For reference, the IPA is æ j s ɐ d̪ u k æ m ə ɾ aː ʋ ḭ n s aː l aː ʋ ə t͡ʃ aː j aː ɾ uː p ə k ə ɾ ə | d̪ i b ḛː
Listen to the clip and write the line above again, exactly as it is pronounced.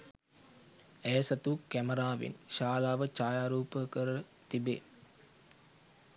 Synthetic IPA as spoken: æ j s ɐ t̪ u k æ m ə ɾ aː ʋ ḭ n ʃ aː l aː ʋ ə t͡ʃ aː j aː ɾ uː p ə k ə ɾ ə | t̪ i b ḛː